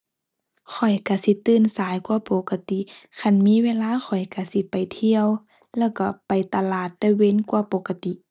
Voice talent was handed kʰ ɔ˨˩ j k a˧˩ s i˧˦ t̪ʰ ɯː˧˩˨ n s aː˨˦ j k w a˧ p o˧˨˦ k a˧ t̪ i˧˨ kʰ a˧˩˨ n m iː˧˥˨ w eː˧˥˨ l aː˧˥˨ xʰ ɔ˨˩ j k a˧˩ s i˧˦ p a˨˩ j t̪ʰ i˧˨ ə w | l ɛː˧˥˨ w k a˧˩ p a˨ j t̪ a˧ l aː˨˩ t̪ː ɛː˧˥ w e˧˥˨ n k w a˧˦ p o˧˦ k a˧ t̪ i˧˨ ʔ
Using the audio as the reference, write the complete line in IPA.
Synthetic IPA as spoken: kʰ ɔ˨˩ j k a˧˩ s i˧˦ t̪ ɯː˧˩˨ n s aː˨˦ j k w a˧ p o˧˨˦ k a˧ t̪ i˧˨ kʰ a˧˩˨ n m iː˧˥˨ w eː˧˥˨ l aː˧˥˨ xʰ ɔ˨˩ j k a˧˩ s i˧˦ p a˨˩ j t̪ʰ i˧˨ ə w | l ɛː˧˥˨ w k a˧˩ p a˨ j t̪ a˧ l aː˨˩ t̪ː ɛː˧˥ w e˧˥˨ n k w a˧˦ p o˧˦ k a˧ t̪ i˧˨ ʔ